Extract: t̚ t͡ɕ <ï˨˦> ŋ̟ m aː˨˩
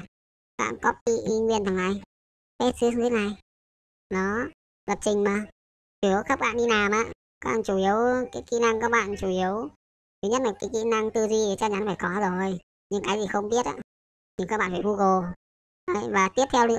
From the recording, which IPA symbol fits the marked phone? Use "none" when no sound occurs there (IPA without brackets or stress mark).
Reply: ï˨˩